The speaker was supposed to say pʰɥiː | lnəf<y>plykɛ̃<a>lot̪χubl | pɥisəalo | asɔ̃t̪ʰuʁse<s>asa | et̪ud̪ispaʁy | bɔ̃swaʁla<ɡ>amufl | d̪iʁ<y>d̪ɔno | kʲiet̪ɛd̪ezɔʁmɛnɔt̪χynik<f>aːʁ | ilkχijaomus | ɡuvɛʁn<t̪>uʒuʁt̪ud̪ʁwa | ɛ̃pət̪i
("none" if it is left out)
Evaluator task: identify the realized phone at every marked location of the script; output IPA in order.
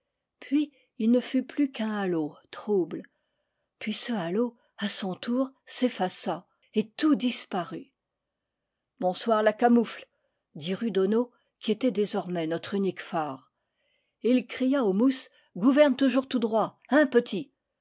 y, a, f, k, y, f, t̪

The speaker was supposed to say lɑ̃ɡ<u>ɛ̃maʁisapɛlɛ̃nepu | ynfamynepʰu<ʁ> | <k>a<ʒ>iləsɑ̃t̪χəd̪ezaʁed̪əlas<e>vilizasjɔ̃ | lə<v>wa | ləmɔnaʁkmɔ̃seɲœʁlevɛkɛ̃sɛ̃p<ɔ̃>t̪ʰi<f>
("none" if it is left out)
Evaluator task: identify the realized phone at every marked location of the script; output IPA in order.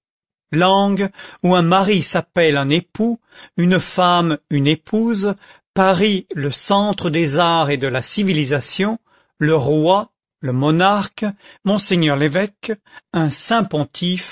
u, z, p, ʁ, i, ʁ, ɔ̃, f

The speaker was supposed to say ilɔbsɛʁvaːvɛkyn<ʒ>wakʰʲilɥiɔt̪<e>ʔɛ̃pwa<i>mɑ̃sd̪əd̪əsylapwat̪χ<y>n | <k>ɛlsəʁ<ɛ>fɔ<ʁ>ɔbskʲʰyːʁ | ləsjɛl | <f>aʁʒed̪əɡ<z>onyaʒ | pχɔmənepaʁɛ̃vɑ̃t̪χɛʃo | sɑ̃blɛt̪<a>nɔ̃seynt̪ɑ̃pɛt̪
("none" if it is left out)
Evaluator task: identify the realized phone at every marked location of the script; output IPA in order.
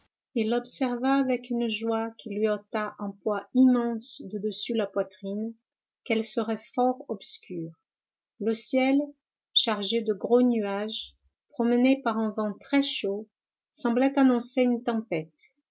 ʒ, a, i, i, k, ɛ, ʁ, ʃ, ʁ, a

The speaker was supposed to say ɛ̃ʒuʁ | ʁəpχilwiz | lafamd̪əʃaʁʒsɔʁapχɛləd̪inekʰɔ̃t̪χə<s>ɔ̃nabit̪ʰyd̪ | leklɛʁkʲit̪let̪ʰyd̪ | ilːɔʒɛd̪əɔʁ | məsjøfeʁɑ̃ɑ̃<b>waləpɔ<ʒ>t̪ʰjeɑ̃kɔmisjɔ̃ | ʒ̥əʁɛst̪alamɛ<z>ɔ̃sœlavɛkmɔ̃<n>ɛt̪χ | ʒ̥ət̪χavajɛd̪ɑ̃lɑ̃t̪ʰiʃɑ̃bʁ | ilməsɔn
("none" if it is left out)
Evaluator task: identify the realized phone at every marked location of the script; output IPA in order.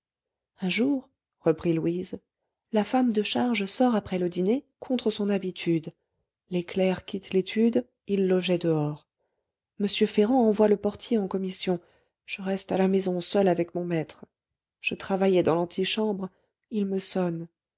s, v, ʁ, z, m

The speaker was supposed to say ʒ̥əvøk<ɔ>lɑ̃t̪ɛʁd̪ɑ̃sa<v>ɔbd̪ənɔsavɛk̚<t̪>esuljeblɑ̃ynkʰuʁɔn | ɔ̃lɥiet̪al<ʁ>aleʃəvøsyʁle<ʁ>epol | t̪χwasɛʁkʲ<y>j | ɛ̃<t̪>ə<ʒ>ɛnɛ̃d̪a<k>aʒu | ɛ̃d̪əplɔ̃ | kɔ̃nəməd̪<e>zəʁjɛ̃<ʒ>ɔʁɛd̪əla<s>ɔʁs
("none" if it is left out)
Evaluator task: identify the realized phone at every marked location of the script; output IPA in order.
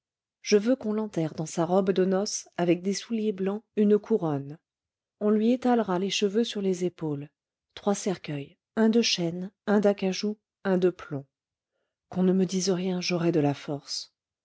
ɔ̃, ʁ, d̪, ʁ, z, œ, d̪, ʃ, k, i, ʒ, f

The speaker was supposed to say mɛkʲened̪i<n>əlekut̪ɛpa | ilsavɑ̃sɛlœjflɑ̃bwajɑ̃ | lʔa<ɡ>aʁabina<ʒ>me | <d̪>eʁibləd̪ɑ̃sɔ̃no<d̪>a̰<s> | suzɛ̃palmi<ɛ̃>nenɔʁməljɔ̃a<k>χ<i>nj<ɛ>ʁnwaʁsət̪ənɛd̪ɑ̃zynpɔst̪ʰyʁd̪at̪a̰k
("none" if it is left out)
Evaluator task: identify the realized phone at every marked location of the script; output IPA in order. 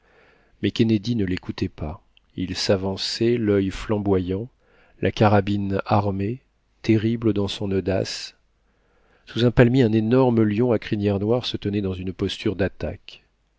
n, k, ʁ, t̪, d̪, s, ɛ̃, k, i, ɛ

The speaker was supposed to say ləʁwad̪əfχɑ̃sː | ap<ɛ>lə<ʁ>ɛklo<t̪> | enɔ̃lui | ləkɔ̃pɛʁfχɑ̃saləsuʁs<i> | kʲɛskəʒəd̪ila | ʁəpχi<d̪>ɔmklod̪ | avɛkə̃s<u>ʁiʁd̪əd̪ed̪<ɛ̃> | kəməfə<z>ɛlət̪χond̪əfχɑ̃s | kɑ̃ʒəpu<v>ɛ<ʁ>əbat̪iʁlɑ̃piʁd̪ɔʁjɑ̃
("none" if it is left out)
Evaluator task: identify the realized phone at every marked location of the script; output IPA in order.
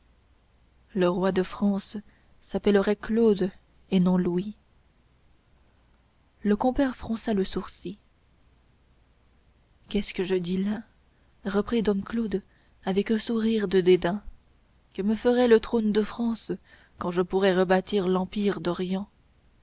ɛ, ʁ, d̪, i, d̪, u, ɛ̃, ʁ, ʁ, ʁ

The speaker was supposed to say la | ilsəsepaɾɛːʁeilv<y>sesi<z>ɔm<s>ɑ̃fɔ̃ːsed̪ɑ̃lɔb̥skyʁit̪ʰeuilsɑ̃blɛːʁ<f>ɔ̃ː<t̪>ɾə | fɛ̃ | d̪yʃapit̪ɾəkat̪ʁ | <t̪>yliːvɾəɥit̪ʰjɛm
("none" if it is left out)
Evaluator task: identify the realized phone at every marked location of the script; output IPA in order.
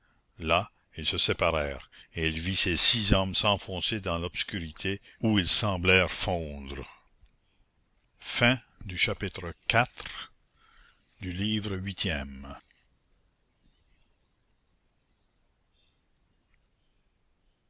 i, z, s, f, d̪, d̪

